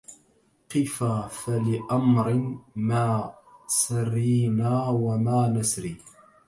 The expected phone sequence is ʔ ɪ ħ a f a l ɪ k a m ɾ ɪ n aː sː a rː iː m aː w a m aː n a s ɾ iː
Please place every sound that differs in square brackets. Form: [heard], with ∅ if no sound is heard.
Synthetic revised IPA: [q] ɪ [f] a f a l ɪ [ʔ] a m ɾ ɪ [m] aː [s] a rː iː [n] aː w a m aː n a s ɾ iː